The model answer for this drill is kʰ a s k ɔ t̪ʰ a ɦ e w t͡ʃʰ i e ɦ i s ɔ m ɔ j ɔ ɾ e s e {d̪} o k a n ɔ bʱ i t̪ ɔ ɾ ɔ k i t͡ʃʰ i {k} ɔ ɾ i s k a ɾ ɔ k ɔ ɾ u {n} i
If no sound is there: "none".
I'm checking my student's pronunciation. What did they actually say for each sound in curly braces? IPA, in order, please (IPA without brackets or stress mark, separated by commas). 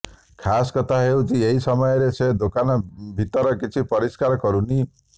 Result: d̪, p, n